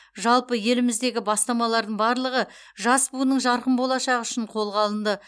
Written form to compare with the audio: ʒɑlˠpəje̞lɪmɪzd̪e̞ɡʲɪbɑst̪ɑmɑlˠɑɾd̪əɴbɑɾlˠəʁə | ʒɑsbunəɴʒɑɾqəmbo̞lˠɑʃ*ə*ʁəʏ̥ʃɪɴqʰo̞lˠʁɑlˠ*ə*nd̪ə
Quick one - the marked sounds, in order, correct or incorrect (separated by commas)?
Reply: incorrect, correct